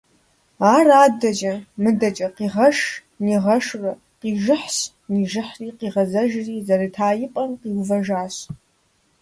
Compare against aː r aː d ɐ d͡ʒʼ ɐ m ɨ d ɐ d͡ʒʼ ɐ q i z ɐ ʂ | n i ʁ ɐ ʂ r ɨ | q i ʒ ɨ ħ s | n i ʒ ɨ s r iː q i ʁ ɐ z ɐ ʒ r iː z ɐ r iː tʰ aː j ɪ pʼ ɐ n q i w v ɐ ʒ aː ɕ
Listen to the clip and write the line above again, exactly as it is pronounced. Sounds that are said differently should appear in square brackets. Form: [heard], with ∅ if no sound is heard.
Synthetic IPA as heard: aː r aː d ɐ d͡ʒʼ ɐ m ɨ d ɐ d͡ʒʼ ɐ q i [ʁ] ɐ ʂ | n i ʁ ɐ ʂ r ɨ | q i ʒ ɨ ħ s | n i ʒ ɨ [ħ] r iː q i ʁ ɐ z ɐ ʒ r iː z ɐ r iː tʰ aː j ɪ pʼ ɐ n q i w v ɐ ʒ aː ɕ